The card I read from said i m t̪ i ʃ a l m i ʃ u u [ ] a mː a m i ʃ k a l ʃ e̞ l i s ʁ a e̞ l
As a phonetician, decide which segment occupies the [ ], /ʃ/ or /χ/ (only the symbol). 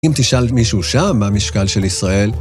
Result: ʃ